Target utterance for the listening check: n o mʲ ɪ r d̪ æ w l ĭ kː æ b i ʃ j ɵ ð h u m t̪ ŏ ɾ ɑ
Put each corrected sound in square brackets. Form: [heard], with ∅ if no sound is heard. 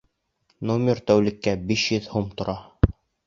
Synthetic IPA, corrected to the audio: n o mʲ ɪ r [t̪] æ w l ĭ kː æ b i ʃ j ɵ ð h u m t̪ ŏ ɾ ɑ